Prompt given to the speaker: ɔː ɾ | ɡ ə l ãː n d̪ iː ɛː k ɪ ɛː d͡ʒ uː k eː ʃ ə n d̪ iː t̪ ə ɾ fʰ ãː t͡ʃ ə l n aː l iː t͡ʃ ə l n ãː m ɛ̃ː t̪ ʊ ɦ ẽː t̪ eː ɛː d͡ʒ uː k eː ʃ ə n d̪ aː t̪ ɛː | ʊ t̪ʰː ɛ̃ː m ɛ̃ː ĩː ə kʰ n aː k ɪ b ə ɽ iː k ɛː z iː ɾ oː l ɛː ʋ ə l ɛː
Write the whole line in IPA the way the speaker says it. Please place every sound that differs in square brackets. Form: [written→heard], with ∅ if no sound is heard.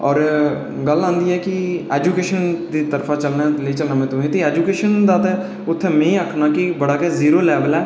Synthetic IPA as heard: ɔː ɾ | ɡ ə l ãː n d̪ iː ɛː k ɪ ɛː d͡ʒ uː k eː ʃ ə n d̪ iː t̪ ə ɾ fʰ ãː t͡ʃ ə l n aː l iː t͡ʃ ə l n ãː m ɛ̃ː t̪ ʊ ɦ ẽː t̪ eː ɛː d͡ʒ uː k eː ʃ ə n d̪ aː t̪ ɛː | ʊ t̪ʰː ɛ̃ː m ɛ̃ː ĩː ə kʰ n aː k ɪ b ə ɽ [iː→aː] k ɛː z iː ɾ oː l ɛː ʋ ə l ɛː